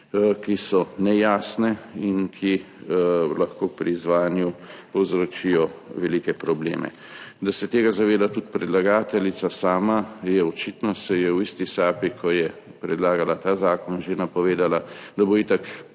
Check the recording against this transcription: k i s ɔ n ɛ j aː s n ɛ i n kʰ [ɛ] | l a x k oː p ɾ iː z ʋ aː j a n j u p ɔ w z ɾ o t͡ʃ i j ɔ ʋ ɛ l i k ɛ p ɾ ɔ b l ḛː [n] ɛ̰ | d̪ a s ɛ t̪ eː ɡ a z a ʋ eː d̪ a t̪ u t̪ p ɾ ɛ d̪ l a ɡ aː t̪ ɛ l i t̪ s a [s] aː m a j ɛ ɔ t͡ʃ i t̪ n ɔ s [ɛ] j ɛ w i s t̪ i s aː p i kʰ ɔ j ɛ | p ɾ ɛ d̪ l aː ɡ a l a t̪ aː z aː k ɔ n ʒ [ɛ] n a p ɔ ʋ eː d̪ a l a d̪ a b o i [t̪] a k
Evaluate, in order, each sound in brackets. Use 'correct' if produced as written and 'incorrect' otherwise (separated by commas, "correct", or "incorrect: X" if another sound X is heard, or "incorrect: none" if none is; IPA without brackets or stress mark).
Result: incorrect: i, incorrect: m, correct, correct, incorrect: e, correct